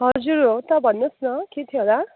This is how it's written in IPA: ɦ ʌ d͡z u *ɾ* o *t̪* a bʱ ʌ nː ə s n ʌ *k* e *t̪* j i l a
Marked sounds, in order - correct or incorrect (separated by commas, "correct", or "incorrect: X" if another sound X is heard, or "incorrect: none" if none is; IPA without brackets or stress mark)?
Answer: correct, correct, correct, incorrect: t̪ʰ